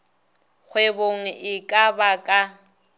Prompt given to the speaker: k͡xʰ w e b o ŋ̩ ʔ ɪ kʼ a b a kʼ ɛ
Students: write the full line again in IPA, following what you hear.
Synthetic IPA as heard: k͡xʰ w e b o ŋ̩ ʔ ɪ kʼ a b a kʼ a

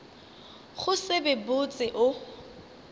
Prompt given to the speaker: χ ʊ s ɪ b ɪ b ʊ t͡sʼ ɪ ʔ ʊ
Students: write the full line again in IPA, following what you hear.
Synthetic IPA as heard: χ ʊ s ɪ b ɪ b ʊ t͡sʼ ɪ ʔ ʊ

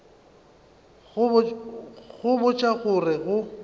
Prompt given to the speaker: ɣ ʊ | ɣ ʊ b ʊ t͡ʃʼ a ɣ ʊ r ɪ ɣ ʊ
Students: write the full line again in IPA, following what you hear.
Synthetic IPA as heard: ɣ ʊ | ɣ ʊ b ʊ t͡ʃʼ a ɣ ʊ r ɪ ɣ ʊ

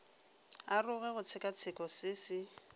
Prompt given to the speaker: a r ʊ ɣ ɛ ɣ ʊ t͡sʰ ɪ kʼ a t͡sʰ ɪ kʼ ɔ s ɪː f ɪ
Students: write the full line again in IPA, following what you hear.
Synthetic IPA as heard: a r ʊ ɣ ɛ ɣ ʊ t͡sʰ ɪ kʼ a t͡sʰ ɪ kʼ ɔ s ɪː s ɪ

